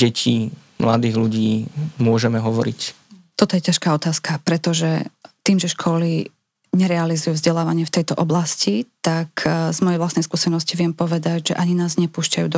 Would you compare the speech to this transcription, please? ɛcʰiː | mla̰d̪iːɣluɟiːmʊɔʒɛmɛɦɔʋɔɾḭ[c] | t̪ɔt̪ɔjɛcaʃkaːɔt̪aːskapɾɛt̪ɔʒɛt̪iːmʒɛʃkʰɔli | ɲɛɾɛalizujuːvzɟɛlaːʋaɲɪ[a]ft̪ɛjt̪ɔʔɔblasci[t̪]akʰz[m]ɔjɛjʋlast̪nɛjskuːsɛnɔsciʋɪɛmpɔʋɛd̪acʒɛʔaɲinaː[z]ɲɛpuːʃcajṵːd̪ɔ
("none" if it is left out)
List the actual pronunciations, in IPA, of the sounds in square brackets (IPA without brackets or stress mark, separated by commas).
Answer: c, ɛ, t̪, m, z